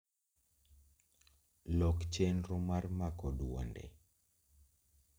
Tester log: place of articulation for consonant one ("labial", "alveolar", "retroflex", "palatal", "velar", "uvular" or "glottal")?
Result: alveolar